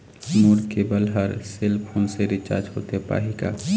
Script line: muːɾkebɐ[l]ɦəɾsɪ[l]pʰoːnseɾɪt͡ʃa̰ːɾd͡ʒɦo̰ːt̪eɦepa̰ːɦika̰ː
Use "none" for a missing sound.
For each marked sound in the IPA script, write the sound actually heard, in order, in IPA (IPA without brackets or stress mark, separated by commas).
l, l